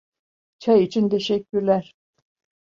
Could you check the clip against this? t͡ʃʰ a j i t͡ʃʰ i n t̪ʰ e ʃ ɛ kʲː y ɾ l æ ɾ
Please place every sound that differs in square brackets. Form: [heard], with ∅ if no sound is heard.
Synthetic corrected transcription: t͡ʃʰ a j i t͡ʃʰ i n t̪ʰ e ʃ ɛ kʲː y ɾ l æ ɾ

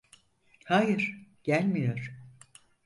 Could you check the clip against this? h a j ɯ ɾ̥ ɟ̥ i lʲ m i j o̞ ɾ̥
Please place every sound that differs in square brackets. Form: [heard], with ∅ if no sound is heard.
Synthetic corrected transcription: h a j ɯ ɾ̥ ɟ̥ [æ] lʲ m i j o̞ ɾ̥

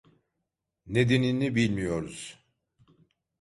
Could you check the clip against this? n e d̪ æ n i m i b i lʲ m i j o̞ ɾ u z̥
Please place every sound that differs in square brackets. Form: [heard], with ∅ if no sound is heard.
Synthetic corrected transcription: n e d̪ [e] n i [n] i b i lʲ m i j o̞ ɾ u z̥

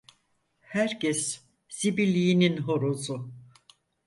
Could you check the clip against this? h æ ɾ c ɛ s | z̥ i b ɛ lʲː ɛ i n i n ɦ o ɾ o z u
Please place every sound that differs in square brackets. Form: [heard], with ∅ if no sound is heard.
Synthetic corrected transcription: h æ ɾ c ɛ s | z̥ i b [i] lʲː [i] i n i n ɦ o ɾ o z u

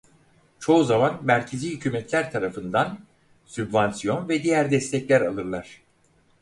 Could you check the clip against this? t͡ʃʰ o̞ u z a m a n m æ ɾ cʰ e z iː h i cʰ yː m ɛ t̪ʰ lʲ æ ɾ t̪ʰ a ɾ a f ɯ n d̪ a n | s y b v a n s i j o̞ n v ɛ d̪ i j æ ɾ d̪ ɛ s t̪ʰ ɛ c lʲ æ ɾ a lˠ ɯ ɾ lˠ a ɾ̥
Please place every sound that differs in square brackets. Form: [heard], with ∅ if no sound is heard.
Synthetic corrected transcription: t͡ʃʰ o̞ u z a m a n m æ ɾ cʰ e z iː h [y] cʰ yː m ɛ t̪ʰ lʲ æ ɾ t̪ʰ a ɾ a f ɯ n d̪ a n | s y b v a n s i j o̞ n v ɛ d̪ i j æ ɾ d̪ ɛ s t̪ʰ ɛ c lʲ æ ɾ a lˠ ɯ ɾ lˠ a ɾ̥

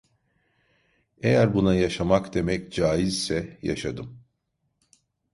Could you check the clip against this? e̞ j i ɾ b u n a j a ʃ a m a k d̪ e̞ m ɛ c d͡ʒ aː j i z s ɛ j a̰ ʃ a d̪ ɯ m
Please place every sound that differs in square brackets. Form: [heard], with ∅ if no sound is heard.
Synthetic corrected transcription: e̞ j [æ] ɾ b u n a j a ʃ a m a k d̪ e̞ m ɛ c d͡ʒ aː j i z s ɛ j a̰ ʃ a d̪ ɯ m

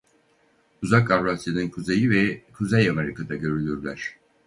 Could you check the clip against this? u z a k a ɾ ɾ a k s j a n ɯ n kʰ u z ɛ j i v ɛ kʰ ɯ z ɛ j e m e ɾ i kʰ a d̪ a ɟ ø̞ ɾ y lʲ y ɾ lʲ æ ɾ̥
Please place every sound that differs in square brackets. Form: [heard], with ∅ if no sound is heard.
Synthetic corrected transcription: u z a k a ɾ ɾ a [∅] s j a n ɯ n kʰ u z [e] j i v ɛ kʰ [u] z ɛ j [a] m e ɾ i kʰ a d̪ a ɟ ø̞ ɾ y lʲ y ɾ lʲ æ ɾ̥

